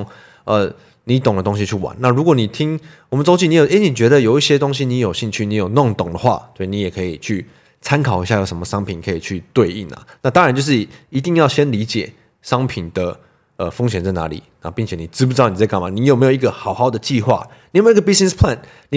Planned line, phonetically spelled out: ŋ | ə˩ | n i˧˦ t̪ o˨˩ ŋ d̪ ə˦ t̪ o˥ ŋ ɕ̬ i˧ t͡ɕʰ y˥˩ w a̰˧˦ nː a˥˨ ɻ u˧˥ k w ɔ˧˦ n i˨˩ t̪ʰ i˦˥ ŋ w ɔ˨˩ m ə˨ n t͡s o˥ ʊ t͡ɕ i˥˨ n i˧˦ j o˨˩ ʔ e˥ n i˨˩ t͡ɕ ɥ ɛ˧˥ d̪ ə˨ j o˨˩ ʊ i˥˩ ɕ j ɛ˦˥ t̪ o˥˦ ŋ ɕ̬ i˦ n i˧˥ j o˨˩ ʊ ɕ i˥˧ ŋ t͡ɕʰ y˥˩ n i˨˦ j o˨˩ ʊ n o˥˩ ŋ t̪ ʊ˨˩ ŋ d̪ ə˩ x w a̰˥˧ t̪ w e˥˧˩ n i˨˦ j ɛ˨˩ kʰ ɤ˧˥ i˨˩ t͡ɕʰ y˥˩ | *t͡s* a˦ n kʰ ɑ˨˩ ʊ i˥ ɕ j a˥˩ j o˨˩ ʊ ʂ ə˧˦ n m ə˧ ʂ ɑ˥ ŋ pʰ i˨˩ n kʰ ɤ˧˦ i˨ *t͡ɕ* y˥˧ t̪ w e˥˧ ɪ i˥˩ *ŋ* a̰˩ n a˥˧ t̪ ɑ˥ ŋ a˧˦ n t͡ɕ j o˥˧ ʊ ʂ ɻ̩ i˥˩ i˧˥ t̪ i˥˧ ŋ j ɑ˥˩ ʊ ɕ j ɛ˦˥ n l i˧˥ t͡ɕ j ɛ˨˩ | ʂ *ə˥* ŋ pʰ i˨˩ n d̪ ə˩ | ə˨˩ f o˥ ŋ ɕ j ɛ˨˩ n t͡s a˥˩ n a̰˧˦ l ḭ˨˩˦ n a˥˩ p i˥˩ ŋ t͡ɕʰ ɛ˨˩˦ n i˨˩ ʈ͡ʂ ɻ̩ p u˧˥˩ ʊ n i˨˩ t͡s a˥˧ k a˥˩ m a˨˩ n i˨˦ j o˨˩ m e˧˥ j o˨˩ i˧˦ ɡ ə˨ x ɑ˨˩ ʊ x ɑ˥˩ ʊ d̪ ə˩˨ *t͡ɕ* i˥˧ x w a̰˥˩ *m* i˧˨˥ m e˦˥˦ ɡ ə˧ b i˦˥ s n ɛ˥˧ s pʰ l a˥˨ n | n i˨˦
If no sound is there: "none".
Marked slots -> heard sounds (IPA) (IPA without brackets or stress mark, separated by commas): t͡sʰ, t͡ɕʰ, n, ɑ˥, t͡ɕ, n